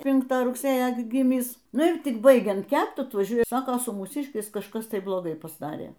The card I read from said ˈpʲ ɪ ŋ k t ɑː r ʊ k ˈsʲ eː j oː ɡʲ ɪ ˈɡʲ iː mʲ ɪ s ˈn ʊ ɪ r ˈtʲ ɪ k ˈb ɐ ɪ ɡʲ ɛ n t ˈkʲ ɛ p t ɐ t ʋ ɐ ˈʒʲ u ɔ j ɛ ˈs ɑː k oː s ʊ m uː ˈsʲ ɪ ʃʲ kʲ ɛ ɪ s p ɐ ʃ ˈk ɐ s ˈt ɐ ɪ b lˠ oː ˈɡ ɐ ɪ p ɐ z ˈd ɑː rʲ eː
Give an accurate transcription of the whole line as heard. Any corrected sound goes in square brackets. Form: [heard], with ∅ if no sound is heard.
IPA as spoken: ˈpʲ ɪ ŋ k t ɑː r ʊ k ˈsʲ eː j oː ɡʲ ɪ ˈɡʲ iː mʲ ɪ s ˈn ʊ ɪ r ˈtʲ ɪ k ˈb ɐ ɪ ɡʲ ɛ n t ˈkʲ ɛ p t ɐ t ʋ ɐ ˈʒʲ u ɔ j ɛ ˈs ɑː k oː s ʊ m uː ˈsʲ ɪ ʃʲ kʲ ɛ ɪ s [k] ɐ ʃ ˈk ɐ s ˈt ɐ ɪ b lˠ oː ˈɡ ɐ ɪ p ɐ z ˈd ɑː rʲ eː